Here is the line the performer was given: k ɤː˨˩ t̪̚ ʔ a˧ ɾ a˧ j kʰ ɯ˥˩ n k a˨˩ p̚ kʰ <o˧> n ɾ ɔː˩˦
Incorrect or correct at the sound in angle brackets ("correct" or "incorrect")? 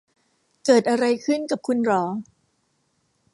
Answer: incorrect